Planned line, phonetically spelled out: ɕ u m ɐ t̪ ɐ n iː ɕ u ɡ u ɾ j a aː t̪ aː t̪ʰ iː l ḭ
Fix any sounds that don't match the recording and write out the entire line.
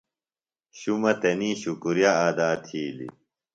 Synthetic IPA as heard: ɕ u m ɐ t̪ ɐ n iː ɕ u k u ɾ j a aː d̪ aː t̪ʰ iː l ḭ